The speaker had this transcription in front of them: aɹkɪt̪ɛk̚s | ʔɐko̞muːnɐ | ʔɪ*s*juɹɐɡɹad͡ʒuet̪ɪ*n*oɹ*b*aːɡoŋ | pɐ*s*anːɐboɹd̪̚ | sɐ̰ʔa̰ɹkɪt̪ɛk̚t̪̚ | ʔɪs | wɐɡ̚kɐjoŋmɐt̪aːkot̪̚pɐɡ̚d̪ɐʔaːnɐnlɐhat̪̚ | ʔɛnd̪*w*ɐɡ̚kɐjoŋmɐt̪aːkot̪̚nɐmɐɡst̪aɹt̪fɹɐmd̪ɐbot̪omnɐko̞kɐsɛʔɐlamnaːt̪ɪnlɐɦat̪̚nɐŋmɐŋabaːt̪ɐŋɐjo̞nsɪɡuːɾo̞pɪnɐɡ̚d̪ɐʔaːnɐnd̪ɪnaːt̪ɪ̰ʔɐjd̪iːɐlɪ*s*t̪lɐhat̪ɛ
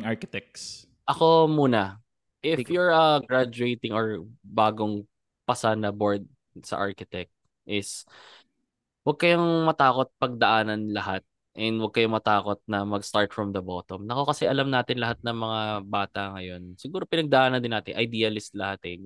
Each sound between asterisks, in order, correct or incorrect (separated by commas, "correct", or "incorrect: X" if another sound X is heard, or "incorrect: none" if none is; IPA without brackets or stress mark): incorrect: f, incorrect: ŋ, correct, correct, correct, correct